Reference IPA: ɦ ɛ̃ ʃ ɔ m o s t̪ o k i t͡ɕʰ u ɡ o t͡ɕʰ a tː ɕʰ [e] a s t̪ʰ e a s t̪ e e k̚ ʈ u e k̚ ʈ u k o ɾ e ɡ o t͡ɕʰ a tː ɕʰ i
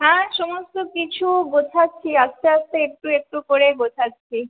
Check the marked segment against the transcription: incorrect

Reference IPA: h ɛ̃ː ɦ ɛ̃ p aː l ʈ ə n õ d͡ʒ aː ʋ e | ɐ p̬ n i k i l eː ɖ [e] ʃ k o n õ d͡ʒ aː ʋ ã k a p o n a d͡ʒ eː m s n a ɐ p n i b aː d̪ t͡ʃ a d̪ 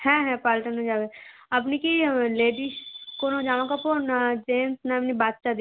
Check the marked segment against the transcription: incorrect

